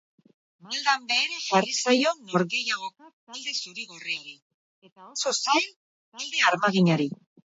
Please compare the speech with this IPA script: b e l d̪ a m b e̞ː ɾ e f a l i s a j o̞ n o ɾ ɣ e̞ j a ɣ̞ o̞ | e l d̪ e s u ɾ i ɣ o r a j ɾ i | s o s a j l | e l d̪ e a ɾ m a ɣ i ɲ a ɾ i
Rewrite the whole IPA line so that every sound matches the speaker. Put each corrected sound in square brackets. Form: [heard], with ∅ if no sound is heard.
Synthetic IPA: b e l d̪ a m b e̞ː ɾ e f a [r] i s a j o̞ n o ɾ ɣ e̞ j a ɣ̞ o̞ | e l d̪ e s u ɾ i ɣ o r [e] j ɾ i | s o s a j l | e l d̪ e a ɾ m a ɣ i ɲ a ɾ i